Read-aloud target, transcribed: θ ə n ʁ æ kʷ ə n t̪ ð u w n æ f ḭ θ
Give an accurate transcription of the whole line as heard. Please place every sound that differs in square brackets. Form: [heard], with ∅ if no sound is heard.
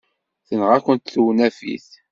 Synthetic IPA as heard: θ ə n ʁ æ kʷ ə n t̪ [θ] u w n æ f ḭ θ